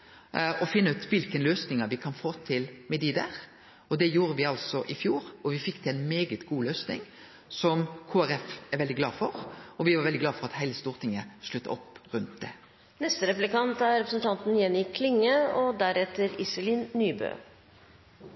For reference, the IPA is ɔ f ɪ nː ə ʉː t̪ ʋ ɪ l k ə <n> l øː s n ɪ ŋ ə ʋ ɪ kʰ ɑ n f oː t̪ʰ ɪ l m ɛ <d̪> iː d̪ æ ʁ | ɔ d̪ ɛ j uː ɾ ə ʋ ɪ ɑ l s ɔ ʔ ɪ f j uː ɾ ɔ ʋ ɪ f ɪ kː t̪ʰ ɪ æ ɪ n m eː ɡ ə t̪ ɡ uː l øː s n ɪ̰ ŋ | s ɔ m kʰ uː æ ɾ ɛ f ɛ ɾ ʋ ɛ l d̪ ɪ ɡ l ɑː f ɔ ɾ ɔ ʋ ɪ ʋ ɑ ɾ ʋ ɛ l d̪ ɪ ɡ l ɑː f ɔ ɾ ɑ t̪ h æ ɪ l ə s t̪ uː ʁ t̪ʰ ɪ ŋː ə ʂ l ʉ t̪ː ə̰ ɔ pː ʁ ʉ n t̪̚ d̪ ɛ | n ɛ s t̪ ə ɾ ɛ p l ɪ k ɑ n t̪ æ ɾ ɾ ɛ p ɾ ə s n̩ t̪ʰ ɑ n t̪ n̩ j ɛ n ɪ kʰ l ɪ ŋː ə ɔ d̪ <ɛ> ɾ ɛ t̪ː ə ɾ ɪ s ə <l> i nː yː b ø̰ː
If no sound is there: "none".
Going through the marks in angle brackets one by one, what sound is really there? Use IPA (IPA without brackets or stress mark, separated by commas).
n, d̪, æ, l